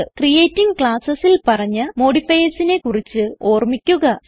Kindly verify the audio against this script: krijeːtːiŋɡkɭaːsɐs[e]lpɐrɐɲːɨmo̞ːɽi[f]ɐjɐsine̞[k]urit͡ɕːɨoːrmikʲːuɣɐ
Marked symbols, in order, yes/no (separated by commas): no, yes, yes